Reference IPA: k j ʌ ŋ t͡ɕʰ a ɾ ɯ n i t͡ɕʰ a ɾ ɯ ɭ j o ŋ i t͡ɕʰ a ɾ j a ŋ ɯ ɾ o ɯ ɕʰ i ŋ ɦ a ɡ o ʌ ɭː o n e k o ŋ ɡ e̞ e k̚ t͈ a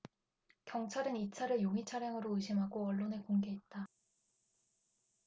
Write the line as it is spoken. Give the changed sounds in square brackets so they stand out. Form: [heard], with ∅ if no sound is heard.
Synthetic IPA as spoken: k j ʌ ŋ t͡ɕʰ a ɾ ɯ n i t͡ɕʰ a ɾ ɯ ɭ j o ŋ i t͡ɕʰ a ɾ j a ŋ ɯ ɾ o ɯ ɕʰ i [m] ɦ a ɡ o ʌ ɭː o n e k o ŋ ɡ e̞ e [t̚] t͈ a